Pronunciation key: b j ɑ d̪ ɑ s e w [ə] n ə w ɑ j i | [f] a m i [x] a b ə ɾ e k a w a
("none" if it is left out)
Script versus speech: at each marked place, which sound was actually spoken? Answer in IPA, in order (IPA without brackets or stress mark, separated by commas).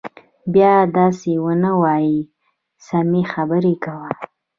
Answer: ə, s, x